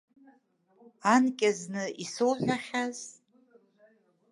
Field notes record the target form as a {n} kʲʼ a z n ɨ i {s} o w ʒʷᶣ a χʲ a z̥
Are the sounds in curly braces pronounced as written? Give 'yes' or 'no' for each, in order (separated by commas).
yes, yes